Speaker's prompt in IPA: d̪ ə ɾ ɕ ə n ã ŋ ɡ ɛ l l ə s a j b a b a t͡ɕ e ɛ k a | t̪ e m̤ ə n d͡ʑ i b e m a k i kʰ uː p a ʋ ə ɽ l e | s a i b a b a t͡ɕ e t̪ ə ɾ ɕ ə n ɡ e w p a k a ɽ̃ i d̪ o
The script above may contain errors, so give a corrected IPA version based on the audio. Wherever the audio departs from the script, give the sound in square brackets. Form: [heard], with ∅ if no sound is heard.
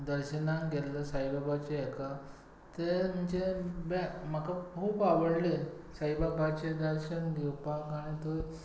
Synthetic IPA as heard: d̪ ə ɾ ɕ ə n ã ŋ ɡ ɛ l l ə s a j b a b a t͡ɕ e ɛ k a | t̪ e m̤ ə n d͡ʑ [e] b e m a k [a] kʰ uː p a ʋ ə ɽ l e | s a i b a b a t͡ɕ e [d̪] ə ɾ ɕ ə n ɡ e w p a k a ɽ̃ i [t̪] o